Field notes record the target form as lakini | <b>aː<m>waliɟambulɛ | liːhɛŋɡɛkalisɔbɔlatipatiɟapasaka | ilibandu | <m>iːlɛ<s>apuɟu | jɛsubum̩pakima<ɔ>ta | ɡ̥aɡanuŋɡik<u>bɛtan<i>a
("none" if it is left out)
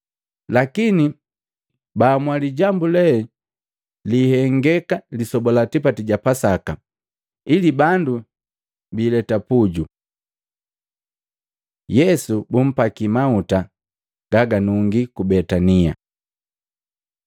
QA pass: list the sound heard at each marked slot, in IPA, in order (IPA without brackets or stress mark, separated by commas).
b, m, b, t, u, u, i